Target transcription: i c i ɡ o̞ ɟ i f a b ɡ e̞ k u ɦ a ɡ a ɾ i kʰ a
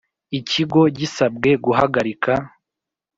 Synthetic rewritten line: i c i ɡ o̞ ɟ i s a b ɡ e̞ ɡ u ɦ a ɡ a ɾ i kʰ a